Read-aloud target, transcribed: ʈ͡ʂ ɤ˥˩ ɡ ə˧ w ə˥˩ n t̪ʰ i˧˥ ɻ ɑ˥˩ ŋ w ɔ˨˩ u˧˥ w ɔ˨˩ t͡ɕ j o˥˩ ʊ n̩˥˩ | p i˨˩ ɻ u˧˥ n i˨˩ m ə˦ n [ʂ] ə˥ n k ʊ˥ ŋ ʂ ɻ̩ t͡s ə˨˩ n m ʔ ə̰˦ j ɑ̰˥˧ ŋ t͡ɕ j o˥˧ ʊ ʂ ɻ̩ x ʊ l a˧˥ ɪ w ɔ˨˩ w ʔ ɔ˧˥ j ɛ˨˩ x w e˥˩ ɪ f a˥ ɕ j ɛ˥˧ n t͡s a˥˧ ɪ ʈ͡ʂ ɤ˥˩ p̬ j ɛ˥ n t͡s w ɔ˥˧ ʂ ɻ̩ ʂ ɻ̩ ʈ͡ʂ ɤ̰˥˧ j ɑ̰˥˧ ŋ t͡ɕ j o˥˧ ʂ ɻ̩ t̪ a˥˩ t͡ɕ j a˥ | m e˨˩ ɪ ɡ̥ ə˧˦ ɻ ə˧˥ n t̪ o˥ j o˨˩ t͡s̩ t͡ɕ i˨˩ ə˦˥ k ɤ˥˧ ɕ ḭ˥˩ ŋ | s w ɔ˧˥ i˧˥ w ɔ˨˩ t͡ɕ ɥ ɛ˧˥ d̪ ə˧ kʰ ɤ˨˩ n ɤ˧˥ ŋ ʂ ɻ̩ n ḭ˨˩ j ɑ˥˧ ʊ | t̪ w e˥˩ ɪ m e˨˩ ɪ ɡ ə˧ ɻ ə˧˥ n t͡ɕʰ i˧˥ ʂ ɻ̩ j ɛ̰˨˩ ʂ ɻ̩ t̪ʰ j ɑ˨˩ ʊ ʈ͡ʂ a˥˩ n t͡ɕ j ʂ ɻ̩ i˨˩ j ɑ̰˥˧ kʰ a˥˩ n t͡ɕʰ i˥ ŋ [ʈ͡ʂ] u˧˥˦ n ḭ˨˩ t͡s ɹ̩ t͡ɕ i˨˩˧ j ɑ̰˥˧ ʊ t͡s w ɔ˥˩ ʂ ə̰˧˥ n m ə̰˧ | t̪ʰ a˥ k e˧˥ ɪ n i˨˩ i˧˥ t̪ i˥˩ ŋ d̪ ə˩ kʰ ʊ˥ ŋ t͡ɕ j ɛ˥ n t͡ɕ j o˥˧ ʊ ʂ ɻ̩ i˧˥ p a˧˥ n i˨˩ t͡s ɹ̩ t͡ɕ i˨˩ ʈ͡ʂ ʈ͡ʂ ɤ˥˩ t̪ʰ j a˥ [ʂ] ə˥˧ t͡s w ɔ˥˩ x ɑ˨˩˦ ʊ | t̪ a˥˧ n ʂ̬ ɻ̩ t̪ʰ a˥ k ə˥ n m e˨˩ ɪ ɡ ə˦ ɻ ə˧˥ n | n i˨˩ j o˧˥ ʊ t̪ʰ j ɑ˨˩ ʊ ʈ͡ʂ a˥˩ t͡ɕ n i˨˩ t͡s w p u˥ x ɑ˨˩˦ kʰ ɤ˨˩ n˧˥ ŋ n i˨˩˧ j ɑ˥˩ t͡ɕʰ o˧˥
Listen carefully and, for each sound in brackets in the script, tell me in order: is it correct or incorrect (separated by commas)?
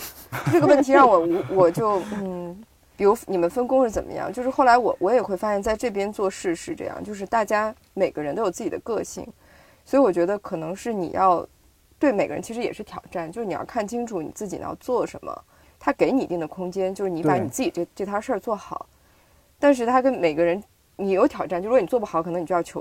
incorrect, incorrect, correct